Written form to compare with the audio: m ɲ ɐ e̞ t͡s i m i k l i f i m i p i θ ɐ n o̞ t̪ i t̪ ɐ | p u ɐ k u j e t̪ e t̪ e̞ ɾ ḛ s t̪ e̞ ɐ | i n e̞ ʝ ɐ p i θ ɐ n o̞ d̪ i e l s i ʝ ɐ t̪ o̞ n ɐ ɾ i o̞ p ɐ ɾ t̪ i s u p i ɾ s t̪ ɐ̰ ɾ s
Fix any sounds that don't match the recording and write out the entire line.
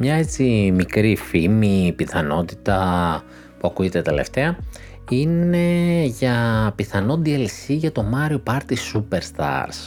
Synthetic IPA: m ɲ ɐ e̞ t͡s i m i k ɾ i f i m i p i θ ɐ n o̞ t̪ i t̪ ɐ | p u ɐ k u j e t̪ e t̪ e̞ l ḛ f t̪ e̞ ɐ | i n e̞ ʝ ɐ p i θ ɐ n o̞ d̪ i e l s i ʝ ɐ t̪ o̞ m ɐ ɾ i o̞ p ɐ ɾ t̪ i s u p e ɾ s t̪ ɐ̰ ɾ s